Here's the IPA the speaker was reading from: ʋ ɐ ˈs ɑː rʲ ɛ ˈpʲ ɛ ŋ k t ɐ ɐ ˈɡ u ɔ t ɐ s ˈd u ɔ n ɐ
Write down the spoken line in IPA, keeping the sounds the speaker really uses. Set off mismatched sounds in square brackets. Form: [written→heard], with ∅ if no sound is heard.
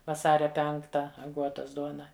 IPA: ʋ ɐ ˈs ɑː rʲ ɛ ˈpʲ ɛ ŋ k t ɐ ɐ ˈɡ u ɔ t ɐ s ˈd u ɔ n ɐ